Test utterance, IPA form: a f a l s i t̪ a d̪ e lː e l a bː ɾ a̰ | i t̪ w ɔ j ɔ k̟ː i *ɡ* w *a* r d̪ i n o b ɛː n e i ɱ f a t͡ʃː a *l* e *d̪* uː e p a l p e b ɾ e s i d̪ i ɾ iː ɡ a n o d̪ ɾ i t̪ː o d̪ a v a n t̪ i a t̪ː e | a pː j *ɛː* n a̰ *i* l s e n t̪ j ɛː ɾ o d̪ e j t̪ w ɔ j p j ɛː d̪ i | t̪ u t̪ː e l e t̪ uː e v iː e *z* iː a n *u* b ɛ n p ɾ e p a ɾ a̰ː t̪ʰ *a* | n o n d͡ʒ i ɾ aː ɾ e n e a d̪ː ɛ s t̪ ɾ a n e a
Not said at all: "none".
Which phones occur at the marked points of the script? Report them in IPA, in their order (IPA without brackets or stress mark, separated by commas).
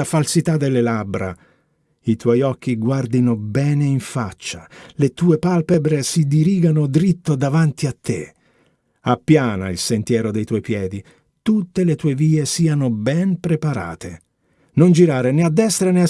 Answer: ɡ, a, l, t̪, aː, i, s, o, e